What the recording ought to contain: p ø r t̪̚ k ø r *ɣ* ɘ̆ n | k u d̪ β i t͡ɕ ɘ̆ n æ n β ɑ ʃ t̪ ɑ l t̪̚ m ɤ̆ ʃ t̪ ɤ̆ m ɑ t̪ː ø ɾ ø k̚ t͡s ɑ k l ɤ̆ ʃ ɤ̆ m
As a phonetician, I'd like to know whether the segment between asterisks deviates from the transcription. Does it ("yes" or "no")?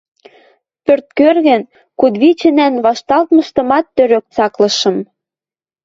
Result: no